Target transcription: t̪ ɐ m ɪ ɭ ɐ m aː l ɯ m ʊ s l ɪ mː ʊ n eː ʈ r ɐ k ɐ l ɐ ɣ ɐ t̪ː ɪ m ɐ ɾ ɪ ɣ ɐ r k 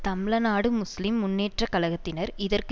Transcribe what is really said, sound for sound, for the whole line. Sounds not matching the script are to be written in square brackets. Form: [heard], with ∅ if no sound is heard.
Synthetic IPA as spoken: t̪ ɐ m ɪ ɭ ɐ [n] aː [ɽ] ɯ m ʊ s l ɪ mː ʊ [nː] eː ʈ r ɐ k ɐ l ɐ ɣ ɐ t̪ː ɪ [n] ɐ ɾ ɪ [ð] ɐ r k